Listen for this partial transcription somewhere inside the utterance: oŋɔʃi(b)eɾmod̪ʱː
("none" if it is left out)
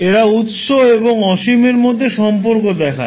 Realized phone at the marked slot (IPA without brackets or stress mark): m